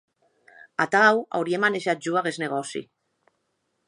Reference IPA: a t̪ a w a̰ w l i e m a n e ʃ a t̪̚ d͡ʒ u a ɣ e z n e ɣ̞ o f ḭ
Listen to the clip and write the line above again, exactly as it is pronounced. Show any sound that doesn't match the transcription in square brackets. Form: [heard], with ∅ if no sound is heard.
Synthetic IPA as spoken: a t̪ a w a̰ w [ɾ] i e m a n e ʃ a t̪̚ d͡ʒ u a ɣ e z n e ɣ̞ o [s] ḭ